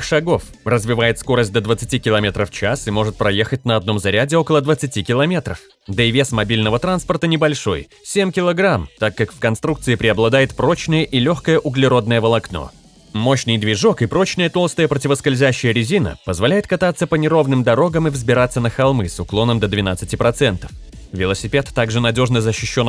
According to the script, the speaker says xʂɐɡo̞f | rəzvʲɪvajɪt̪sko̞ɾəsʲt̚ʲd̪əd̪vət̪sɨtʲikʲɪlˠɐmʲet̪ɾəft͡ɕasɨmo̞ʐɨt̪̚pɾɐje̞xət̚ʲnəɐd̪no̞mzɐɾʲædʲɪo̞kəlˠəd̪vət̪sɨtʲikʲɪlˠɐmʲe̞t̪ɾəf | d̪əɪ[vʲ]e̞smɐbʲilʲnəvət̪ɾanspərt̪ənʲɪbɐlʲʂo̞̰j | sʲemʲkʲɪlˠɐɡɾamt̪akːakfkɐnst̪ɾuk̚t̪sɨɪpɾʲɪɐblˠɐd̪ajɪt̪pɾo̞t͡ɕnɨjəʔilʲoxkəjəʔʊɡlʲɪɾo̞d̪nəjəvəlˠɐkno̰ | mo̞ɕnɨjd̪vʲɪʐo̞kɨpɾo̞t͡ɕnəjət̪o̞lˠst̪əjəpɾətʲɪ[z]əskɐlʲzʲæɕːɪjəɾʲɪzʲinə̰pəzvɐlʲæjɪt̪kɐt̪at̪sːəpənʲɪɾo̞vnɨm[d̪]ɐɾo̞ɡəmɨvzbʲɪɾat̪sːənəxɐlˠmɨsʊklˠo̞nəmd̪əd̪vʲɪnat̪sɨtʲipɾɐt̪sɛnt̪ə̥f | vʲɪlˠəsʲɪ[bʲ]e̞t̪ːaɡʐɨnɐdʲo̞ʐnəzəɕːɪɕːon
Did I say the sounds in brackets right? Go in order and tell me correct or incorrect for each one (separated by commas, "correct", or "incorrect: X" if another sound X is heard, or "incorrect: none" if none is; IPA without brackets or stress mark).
correct, incorrect: v, correct, incorrect: pʲ